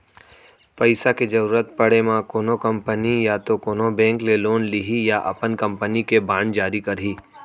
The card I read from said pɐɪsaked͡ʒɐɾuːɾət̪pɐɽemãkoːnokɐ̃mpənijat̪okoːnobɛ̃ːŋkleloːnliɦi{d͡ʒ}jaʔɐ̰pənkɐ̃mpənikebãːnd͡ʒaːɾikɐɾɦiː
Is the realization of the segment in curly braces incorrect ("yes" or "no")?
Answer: yes